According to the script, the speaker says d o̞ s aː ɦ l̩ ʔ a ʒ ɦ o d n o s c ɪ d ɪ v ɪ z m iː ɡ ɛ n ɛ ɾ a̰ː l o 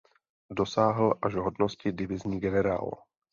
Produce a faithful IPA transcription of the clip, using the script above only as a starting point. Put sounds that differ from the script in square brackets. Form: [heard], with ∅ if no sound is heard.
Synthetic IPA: d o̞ s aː ɦ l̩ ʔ a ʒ ɦ o d n o s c ɪ d ɪ v ɪ z [ɲ] iː ɡ ɛ n ɛ ɾ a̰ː l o